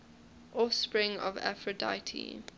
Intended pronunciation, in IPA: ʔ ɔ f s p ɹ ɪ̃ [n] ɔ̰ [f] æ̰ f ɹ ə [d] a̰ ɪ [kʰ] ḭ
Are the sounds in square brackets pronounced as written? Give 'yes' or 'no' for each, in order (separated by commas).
no, no, yes, no